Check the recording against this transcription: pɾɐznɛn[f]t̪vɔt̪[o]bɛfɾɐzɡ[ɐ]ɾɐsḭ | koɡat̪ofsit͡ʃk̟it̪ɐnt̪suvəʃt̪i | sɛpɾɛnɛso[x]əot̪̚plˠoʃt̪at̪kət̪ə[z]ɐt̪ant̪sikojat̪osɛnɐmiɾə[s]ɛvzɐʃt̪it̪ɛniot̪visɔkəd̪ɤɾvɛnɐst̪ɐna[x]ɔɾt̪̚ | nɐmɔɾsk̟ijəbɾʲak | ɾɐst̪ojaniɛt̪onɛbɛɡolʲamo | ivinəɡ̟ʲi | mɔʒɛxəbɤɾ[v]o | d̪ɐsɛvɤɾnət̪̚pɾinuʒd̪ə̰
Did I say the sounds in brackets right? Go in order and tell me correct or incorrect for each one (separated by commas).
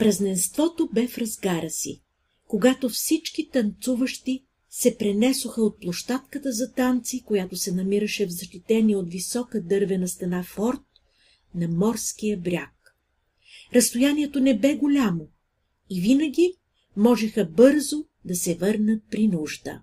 incorrect, correct, incorrect, correct, correct, incorrect, incorrect, incorrect